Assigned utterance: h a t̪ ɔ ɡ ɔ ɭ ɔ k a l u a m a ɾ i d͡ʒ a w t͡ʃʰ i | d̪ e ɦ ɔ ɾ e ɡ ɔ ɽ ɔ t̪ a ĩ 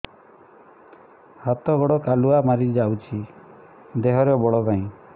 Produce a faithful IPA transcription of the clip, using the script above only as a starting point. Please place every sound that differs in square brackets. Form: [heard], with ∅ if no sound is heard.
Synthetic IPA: h a t̪ ɔ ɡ ɔ [ɽ] ɔ k a l u a m a ɾ i d͡ʒ a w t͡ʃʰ i | d̪ e ɦ ɔ ɾ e [b] ɔ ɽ ɔ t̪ a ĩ